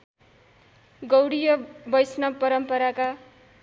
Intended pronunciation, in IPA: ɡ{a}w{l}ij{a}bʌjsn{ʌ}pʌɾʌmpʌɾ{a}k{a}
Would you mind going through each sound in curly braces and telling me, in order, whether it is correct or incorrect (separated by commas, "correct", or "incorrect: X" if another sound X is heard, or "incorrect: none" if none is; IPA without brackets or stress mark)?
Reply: incorrect: ʌ, incorrect: ɽ, incorrect: ʌ, correct, correct, correct